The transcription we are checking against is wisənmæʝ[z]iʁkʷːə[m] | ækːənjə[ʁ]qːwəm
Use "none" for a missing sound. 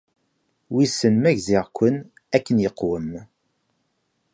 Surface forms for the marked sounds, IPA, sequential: z, n, none

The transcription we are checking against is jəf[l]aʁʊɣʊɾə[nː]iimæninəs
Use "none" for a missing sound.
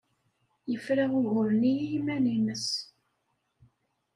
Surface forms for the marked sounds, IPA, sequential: ɾ, n

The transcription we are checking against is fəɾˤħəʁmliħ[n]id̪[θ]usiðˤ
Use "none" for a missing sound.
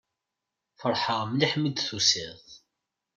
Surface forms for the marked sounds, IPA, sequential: m, θ

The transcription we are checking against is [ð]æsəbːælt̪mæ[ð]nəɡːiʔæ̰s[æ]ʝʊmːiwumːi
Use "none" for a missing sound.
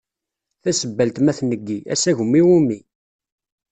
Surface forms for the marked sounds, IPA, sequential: θ, θ, æ

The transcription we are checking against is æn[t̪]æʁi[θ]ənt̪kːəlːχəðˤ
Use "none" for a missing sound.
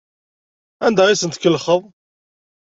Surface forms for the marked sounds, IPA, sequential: d̪, s

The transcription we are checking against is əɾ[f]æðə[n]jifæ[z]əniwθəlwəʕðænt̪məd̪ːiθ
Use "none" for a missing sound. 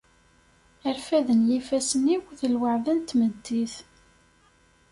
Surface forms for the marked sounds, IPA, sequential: f, n, s

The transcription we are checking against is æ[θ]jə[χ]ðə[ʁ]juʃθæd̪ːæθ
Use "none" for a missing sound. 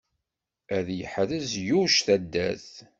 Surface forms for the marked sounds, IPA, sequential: ð, ħ, z

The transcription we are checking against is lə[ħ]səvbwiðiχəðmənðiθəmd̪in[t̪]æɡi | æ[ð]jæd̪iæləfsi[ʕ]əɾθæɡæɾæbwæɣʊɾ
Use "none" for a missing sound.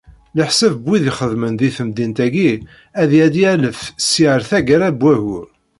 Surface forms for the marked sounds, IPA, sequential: ħ, t̪, ð, ʕ

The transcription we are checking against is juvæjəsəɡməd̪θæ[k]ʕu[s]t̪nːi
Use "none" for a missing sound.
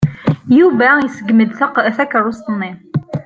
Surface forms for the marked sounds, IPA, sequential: k, s

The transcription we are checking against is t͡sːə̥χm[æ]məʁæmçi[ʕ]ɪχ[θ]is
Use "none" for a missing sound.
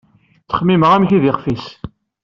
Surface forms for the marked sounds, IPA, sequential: i, ð, f

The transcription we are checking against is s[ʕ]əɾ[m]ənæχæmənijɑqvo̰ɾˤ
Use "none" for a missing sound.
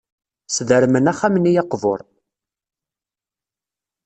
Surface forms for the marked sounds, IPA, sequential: ð, m

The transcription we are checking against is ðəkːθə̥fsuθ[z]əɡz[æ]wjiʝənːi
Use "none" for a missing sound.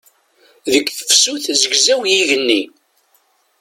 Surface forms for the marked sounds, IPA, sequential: z, æ

